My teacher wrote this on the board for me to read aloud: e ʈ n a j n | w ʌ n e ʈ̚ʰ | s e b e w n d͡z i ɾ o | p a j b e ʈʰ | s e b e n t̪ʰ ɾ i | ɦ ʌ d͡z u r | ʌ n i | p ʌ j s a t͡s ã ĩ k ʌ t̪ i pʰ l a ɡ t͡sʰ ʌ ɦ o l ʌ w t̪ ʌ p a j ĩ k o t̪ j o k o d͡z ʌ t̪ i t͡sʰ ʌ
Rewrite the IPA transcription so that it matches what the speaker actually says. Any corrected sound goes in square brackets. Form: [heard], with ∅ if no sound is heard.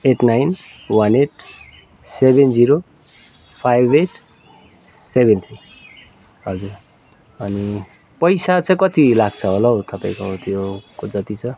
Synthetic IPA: e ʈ n a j n | w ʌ n e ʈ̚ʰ | s e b e [∅] n d͡z i ɾ o | [pʰ] a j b e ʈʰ | s e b e n t̪ʰ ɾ i | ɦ ʌ d͡z u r | ʌ n i | p ʌ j s a t͡s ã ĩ k ʌ t̪ i [∅] l a ɡ t͡sʰ ʌ ɦ o l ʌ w t̪ ʌ p a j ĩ k o t̪ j o k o d͡z ʌ t̪ i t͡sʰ ʌ